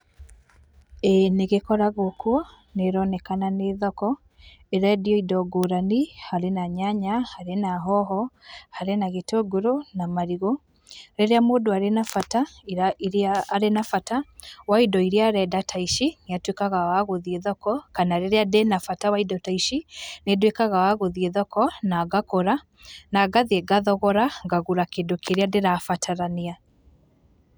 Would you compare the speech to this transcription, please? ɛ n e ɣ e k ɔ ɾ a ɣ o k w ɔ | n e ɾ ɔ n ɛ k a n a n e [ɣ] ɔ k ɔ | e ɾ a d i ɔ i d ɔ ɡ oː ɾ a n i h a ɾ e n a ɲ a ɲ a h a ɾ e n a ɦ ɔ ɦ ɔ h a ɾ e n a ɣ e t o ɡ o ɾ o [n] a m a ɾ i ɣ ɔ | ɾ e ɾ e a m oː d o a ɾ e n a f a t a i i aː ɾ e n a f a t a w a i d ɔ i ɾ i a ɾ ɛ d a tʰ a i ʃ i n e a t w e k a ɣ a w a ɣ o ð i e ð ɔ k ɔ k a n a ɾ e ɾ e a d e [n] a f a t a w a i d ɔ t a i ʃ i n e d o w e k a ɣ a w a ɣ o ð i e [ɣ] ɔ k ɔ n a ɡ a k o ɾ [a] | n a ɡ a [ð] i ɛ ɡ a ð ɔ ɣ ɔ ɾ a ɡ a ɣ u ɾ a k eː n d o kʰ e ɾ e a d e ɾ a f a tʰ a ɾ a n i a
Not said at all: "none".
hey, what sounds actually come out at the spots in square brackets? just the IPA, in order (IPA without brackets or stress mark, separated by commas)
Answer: ð, n, n, ð, a, ð